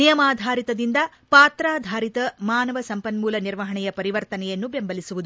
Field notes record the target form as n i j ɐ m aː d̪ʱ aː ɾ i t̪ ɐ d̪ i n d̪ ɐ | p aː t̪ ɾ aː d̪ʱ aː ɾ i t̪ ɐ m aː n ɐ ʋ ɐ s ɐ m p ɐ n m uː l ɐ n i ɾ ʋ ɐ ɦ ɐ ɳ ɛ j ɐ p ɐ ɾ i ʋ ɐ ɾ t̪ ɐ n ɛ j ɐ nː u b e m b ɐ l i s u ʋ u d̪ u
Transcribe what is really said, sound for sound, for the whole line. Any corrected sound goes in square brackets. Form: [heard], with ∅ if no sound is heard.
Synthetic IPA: n i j ɐ m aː d̪ʱ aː ɾ i t̪ ɐ d̪ i n d̪ ɐ | p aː t̪ ɾ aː d̪ʱ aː ɾ i t̪ ɐ m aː n ɐ ʋ ɐ s ɐ m p ɐ n m uː l ɐ n i ɾ ʋ ɐ ɦ ɐ ɳ ɛ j ɐ p ɐ ɾ i ʋ ɐ ɾ t̪ ɐ n ɛ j ɐ nː u b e m b ɐ l i s u ʋ u d̪ u